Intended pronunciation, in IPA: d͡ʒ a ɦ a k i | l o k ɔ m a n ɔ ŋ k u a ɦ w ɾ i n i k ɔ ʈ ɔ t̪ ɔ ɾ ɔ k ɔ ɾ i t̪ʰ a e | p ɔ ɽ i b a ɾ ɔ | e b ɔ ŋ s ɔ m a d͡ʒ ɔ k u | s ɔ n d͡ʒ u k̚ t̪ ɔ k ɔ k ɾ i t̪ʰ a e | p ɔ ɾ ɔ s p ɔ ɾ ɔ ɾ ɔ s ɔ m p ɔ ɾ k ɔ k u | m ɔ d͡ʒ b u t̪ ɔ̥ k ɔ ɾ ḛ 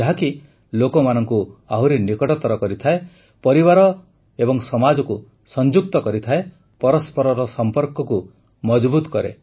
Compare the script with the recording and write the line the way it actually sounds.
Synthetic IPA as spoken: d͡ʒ a ɦ a k i | l o k ɔ m a n ɔ ŋ k u a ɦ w ɾ i n i k ɔ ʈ ɔ t̪ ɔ ɾ ɔ k ɔ ɾ i t̪ʰ a e | p ɔ ɾ i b a ɾ ɔ | e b ɔ ŋ s ɔ m a d͡ʒ ɔ k u | s ɔ n d͡ʒ u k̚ t̪ ɔ k ɔ ɾ i t̪ʰ a e | p ɔ ɾ ɔ s p ɔ ɾ ɔ ɾ ɔ s ɔ m p ɔ ɾ k ɔ k u | m ɔ d͡ʒ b u t̪ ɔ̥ k ɔ ɾ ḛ